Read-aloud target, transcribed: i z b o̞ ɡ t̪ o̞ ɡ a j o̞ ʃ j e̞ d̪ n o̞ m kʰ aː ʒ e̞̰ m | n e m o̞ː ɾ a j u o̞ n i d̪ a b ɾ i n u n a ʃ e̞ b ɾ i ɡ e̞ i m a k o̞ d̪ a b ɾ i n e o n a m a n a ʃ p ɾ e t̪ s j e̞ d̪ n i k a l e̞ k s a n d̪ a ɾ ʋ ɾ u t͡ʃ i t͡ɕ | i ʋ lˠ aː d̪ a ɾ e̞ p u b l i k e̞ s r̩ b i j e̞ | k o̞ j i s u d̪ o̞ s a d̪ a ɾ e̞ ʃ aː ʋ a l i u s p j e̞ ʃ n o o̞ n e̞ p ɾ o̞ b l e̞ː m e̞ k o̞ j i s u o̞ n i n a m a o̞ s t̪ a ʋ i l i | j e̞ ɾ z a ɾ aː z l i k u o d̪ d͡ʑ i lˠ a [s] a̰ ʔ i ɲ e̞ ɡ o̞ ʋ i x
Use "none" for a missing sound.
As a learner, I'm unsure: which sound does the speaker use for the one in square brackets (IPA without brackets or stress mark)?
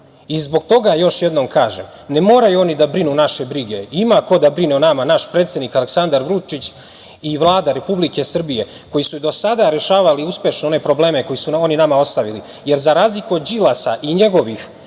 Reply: s